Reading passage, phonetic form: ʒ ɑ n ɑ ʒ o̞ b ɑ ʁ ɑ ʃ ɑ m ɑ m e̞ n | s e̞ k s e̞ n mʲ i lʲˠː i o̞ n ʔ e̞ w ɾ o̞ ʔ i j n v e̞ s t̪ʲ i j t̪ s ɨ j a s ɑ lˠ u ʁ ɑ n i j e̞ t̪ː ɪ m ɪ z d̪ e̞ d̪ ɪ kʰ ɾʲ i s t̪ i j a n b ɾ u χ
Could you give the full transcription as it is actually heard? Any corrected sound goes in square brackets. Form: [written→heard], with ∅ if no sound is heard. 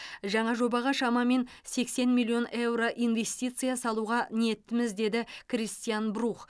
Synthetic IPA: ʒ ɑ [n→ɴ] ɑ ʒ o̞ b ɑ ʁ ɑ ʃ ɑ m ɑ m e̞ n | s e̞ k s e̞ n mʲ i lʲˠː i o̞ n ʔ e̞ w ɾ o̞ ʔ i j n v e̞ s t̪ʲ i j t̪ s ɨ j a s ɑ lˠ u ʁ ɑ n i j e̞ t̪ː ɪ m ɪ z d̪ e̞ d̪ ɪ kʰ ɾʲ i s t̪ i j a n b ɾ u χ